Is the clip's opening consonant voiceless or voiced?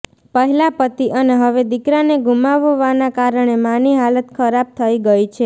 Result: voiceless